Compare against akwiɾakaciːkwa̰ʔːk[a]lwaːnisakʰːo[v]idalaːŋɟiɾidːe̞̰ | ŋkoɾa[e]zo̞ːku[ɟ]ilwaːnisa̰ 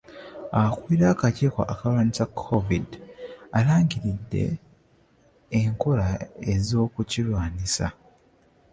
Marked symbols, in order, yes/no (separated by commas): yes, yes, yes, no